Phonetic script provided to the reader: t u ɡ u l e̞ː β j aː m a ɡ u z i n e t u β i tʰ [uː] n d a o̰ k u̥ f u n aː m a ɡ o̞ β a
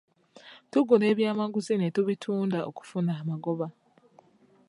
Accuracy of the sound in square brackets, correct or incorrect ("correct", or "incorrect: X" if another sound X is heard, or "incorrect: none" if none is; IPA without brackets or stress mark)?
correct